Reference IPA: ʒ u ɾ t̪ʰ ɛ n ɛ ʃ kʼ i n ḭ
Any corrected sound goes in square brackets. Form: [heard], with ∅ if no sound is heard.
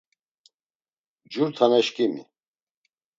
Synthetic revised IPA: [d͡ʒ] u ɾ t̪ʰ [a] n ɛ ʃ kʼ i [m] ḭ